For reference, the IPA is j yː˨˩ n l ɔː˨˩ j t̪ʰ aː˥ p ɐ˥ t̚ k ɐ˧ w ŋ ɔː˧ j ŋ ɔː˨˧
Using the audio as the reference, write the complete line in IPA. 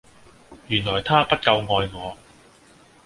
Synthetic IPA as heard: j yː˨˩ n l ɔː˨˩ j t̪ʰ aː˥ p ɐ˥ t̚ k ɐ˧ w ŋ ɔː˧ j ŋ ɔː˨˧